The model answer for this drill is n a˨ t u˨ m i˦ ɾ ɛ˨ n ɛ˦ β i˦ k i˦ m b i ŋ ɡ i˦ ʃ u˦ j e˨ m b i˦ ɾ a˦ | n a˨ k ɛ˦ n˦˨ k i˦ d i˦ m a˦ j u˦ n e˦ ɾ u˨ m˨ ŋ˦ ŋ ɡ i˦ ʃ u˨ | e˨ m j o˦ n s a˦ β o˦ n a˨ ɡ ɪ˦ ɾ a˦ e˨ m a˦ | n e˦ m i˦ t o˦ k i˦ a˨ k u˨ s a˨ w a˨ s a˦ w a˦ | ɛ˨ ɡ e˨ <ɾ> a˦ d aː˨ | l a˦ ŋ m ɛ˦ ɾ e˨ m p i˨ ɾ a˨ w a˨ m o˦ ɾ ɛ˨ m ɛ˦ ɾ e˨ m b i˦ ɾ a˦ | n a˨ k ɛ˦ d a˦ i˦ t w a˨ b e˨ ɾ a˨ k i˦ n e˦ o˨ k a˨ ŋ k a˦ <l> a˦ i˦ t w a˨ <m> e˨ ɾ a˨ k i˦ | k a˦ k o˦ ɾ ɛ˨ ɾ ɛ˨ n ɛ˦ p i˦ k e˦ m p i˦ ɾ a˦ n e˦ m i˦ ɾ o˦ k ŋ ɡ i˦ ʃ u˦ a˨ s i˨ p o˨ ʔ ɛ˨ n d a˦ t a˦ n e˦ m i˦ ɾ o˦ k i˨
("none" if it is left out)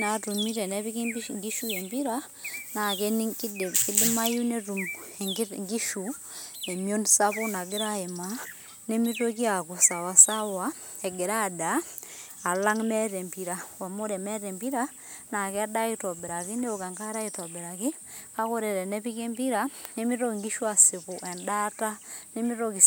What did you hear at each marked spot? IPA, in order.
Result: ɾ, ɾ, b

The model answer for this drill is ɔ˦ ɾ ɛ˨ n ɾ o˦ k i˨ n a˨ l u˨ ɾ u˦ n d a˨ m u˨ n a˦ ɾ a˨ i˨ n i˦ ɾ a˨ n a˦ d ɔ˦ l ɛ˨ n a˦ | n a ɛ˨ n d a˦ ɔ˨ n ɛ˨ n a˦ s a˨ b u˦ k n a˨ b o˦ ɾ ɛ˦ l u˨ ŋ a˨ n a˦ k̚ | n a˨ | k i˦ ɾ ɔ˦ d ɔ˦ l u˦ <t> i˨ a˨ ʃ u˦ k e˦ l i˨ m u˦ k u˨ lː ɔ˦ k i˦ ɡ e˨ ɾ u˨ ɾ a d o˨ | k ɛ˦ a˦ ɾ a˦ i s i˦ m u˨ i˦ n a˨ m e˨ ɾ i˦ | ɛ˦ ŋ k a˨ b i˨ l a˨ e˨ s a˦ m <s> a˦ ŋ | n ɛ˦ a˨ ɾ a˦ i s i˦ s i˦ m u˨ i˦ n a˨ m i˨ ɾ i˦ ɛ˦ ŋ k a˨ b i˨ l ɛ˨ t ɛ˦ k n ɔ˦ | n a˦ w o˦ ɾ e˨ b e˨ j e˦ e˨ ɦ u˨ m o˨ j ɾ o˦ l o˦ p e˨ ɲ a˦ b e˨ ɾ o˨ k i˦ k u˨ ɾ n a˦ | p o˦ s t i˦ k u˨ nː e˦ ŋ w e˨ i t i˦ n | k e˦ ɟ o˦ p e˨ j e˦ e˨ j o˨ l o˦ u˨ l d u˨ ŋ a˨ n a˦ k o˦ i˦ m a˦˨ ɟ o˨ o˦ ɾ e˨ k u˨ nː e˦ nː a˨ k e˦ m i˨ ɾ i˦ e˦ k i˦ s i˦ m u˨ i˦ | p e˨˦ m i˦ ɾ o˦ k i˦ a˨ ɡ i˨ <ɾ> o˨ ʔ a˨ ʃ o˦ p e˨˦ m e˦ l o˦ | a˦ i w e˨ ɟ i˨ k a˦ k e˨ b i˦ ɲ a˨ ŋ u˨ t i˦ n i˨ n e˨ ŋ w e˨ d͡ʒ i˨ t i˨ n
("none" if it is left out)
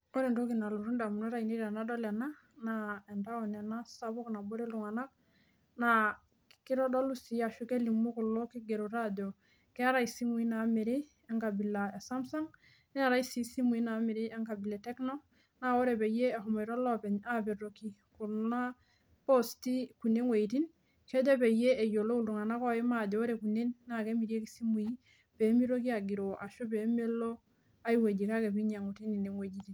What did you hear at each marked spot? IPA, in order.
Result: s, s, ɾ

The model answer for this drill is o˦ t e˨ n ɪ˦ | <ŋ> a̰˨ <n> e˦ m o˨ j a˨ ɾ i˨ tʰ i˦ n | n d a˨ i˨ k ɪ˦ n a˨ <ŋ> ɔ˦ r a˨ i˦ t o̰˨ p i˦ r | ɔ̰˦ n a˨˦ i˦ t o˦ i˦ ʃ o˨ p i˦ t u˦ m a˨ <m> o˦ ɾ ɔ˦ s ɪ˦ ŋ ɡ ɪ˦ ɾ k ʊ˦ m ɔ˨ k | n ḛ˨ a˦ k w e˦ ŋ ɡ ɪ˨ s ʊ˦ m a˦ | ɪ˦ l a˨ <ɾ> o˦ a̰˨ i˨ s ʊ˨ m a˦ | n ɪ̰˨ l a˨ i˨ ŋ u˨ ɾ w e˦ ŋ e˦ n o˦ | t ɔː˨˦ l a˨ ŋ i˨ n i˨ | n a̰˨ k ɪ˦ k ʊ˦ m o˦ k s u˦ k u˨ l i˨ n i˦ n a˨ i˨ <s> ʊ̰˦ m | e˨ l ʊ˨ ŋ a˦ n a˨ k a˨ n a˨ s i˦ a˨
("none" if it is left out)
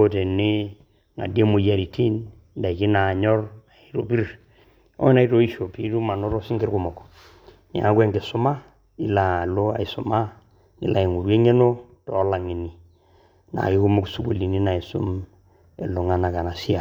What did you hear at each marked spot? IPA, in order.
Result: ŋ, d, ɲ, n, l, s

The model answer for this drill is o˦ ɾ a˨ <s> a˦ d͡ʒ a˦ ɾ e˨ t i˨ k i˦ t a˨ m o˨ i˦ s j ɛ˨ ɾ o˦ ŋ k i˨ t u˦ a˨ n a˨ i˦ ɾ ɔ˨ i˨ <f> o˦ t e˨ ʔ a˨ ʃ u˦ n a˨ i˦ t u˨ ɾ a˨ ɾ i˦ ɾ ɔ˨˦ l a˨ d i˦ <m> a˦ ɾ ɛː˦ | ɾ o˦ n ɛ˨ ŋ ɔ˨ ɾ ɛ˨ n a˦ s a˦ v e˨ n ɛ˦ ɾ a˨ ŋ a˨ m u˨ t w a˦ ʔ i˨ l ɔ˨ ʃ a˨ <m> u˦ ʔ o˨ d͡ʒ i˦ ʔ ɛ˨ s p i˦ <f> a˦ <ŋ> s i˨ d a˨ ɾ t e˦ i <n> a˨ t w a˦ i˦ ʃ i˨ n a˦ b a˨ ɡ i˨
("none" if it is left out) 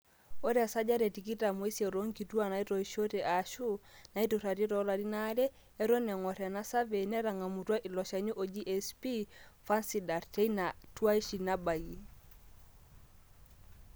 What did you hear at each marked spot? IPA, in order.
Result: s, ʃ, n, ɲ, f, n, n

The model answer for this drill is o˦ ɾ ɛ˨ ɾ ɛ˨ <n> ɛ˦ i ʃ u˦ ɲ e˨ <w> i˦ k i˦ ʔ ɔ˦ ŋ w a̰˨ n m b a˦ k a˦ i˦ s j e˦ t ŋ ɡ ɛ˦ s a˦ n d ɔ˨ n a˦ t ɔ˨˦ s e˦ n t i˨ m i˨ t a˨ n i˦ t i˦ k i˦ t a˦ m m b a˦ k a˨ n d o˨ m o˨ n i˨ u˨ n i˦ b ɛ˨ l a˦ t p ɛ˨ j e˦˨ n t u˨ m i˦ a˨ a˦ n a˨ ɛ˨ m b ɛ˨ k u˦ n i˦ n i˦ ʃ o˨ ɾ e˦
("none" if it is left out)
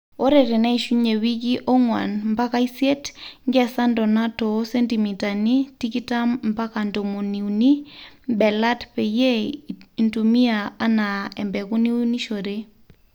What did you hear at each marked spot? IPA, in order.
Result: n, w

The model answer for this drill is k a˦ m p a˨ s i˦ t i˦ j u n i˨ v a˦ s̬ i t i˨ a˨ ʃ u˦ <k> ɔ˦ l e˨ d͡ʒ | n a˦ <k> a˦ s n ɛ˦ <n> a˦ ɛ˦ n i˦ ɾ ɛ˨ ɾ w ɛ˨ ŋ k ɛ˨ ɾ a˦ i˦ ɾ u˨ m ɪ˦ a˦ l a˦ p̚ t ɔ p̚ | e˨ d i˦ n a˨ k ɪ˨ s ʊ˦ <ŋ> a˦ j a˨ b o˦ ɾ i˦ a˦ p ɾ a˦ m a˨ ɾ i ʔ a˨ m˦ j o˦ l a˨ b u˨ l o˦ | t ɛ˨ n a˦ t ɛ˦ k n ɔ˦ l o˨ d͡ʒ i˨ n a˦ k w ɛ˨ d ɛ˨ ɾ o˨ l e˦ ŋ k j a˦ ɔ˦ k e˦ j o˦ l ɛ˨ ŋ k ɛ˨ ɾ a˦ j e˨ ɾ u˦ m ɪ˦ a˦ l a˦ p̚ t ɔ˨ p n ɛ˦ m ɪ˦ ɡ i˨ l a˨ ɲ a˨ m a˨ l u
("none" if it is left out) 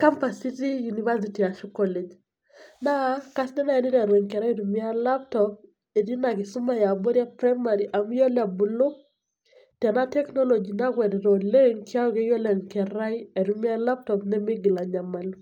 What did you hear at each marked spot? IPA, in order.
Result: k, k, n, m

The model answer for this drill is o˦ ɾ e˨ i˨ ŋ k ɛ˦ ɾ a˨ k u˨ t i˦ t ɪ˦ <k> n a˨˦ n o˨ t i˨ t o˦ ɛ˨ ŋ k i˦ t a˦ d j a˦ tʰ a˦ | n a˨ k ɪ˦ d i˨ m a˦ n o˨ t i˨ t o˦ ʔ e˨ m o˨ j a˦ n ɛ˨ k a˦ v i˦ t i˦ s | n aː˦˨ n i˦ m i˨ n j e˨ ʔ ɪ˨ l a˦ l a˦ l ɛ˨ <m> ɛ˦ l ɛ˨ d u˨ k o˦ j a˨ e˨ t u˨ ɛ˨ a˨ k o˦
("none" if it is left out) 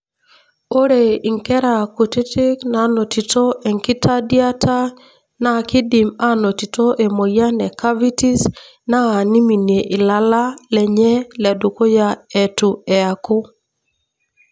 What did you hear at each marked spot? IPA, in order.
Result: k, ɲ

